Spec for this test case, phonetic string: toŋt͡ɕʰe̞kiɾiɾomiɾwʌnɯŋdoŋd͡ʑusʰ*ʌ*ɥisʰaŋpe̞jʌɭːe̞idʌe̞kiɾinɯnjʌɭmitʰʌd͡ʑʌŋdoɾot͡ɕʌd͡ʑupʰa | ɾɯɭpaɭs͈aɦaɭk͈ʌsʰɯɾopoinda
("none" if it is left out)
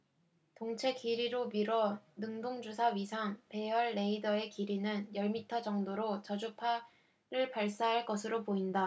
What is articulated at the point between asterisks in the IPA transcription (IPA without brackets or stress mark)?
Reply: a